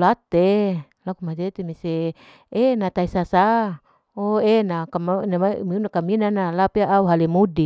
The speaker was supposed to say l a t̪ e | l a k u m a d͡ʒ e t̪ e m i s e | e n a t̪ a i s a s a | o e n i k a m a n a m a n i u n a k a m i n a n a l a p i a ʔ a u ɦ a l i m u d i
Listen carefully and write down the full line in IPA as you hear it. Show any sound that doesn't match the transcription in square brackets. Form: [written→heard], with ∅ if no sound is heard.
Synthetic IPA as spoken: l a t̪ e | l a k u m a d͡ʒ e t̪ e m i s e | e n a t̪ a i s a s a | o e n [i→a] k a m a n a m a [n→m] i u n a k a m i n a n a l a p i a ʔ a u ɦ a l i m u d i